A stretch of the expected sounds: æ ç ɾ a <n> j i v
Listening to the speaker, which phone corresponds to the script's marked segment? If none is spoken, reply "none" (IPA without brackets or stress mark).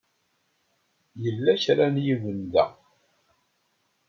n